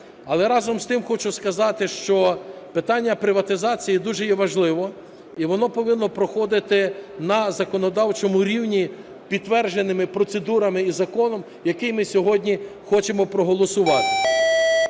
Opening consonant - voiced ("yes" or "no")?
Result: yes